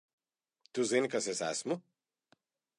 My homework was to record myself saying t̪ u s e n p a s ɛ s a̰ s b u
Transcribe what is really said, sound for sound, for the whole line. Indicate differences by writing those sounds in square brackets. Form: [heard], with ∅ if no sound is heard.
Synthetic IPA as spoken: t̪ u [z] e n [k] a s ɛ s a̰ s [m] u